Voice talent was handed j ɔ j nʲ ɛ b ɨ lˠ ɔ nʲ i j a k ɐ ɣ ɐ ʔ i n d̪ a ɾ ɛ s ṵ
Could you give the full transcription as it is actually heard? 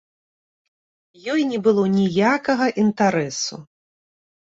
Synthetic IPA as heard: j ɔ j nʲ ɛ b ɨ lˠ ɔ nʲ i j a k ɐ ɣ ɐ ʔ i n t̪ a ɾ ɛ s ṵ